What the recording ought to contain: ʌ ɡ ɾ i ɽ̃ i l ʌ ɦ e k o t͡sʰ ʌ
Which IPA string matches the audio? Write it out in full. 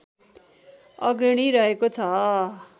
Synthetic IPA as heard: ʌ ɡ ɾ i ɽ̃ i ɾ ʌ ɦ e k o t͡sʰ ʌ